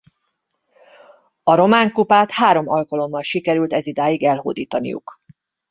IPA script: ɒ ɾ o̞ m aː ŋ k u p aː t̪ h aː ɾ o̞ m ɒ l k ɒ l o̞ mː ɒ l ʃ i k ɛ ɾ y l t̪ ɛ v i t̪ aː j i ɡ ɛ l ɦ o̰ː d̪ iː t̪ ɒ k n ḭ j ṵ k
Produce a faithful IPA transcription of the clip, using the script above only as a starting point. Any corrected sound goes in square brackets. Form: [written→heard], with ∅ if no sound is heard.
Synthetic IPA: ɒ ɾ o̞ m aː ŋ k u p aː t̪ h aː ɾ o̞ m ɒ l k ɒ l o̞ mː ɒ l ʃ i k ɛ ɾ y l t̪ ɛ [v→z] i [t̪→d̪] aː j i ɡ ɛ l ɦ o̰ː d̪ iː t̪ ɒ [k→∅] n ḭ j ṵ k